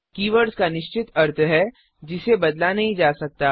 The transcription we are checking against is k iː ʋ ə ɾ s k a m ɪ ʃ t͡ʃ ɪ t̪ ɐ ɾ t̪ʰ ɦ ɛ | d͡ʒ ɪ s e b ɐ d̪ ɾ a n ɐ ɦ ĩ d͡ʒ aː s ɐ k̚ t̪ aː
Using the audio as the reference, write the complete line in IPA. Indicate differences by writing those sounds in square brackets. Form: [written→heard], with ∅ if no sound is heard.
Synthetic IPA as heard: k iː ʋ ə ɾ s k a [m→n] ɪ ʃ t͡ʃ ɪ t̪ ɐ ɾ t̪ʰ ɦ ɛ | d͡ʒ ɪ s e b ɐ d̪ [ɾ→l] a n ɐ ɦ ĩ d͡ʒ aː s ɐ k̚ t̪ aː